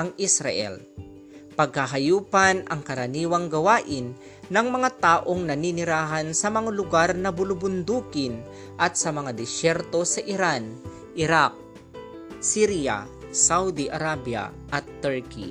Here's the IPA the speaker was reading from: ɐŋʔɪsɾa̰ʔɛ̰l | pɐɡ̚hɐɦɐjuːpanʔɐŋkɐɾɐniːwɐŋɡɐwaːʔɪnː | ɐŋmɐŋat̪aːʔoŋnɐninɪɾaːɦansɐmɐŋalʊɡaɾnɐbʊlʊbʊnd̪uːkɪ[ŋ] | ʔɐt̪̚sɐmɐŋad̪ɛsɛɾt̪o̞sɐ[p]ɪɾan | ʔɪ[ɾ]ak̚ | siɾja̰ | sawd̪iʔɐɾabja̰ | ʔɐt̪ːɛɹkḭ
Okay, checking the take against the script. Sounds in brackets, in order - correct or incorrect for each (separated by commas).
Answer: incorrect, incorrect, correct